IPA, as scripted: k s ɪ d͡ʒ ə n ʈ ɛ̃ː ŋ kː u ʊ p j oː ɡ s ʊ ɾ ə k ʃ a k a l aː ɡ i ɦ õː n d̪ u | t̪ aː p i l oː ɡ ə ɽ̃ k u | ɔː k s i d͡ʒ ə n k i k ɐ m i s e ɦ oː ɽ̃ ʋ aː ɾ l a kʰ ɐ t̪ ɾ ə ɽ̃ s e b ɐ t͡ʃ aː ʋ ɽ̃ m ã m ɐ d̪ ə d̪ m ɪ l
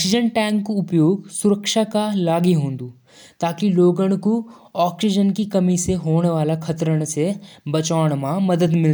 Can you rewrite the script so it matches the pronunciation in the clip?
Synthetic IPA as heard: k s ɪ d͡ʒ ə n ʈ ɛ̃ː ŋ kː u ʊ p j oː ɡ s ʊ ɾ ə k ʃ a k a l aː ɡ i ɦ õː n d̪ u | t̪ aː k i l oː ɡ ə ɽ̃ k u | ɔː k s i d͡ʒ ə n k i k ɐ m i s e ɦ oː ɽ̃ ʋ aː l a kʰ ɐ t̪ ɾ ə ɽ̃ s e b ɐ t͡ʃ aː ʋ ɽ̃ m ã m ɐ d̪ ə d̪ m ɪ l